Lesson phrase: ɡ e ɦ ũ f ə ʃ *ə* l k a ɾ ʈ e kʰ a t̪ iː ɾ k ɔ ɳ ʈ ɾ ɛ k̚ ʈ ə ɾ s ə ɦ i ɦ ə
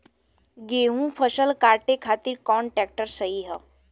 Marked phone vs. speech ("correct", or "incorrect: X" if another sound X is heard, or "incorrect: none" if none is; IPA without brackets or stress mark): correct